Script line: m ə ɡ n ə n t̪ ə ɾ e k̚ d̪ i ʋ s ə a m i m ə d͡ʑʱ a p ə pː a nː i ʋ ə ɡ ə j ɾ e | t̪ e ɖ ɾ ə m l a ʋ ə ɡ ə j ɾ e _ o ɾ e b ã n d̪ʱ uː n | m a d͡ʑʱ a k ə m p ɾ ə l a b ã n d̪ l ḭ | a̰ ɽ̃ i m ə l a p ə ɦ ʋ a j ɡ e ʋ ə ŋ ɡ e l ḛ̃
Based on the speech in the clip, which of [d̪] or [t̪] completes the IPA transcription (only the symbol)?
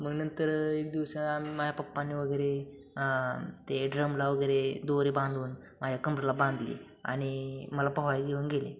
d̪